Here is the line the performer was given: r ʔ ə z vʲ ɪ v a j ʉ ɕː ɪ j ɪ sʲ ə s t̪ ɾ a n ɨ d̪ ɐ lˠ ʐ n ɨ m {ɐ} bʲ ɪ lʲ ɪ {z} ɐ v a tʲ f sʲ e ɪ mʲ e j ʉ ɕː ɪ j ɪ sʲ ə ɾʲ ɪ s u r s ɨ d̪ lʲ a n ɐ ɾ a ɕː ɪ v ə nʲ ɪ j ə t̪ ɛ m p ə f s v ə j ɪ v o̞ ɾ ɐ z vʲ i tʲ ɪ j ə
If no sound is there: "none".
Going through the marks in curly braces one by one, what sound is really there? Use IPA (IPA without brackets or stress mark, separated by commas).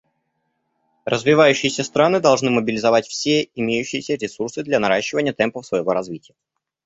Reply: ə, z